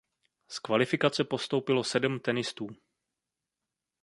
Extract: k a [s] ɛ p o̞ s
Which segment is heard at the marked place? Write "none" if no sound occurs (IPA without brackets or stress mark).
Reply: t͡s